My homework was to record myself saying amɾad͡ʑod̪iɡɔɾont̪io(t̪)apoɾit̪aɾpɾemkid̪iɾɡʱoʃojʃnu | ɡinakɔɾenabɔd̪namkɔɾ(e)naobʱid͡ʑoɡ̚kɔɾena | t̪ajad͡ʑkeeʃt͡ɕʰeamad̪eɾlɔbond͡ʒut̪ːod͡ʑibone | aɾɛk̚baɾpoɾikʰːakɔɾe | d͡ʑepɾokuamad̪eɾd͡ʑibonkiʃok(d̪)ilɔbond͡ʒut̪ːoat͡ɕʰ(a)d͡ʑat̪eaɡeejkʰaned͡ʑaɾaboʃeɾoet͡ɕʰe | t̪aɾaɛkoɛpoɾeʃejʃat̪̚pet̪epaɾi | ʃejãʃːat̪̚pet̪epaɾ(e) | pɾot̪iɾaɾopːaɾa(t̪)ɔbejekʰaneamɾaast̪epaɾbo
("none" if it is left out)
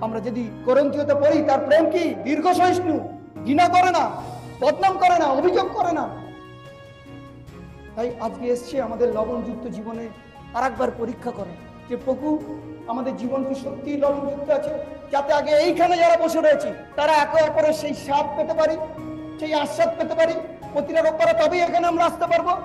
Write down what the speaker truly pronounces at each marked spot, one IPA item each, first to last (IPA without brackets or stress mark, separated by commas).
t̪, e, t̪, e, i, t̪